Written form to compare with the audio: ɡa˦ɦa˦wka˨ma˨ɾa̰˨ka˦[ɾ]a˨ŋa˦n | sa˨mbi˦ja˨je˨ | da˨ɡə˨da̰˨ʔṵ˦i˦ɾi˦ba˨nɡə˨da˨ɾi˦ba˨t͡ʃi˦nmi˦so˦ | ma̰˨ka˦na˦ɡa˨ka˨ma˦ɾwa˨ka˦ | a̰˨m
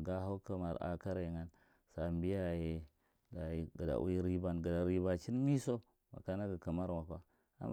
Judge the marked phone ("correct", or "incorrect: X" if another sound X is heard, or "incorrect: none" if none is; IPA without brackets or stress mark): correct